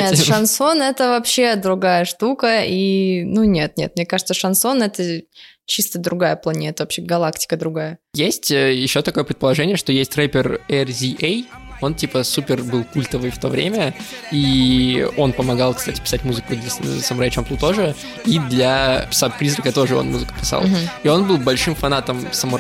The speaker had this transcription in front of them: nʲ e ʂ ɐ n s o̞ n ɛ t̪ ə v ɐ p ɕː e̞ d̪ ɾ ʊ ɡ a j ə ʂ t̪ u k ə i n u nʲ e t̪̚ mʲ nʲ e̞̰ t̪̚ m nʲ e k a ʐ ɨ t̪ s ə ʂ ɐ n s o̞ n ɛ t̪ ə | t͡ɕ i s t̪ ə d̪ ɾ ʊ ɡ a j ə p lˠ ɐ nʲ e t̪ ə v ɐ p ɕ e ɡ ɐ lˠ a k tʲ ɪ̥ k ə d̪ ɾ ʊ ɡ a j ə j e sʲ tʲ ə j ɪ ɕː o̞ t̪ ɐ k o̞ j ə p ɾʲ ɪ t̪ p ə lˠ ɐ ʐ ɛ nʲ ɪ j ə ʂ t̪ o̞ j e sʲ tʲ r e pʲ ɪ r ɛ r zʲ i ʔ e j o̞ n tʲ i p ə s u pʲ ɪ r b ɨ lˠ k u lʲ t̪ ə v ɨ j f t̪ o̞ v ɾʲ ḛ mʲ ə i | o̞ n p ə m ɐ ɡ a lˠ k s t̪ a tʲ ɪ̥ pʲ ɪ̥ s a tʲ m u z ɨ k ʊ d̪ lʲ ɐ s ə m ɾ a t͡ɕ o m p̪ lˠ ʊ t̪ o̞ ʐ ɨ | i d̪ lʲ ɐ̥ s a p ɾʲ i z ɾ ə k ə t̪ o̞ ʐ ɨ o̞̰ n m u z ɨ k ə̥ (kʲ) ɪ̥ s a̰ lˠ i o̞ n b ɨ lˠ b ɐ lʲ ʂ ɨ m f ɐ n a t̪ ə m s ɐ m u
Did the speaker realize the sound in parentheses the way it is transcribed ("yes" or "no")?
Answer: no